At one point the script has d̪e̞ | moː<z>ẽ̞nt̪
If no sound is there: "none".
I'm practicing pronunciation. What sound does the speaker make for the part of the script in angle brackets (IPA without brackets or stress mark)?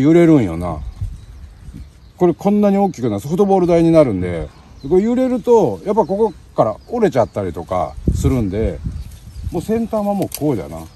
s